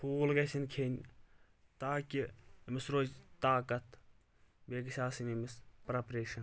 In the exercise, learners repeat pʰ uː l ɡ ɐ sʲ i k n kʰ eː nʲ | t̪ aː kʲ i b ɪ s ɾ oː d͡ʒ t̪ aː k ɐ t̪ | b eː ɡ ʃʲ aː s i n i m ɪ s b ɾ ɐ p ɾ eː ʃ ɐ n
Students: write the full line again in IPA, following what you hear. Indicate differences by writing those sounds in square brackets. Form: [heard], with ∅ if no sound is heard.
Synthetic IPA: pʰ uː l ɡ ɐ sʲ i [∅] n kʰ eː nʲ | t̪ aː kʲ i [m] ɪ s ɾ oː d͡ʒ t̪ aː k ɐ t̪ | b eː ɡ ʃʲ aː s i n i m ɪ s [p] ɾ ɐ p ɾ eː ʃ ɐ n